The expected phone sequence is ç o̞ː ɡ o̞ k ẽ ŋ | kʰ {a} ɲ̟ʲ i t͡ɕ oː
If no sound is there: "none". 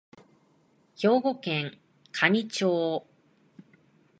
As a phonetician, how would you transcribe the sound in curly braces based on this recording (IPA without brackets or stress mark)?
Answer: a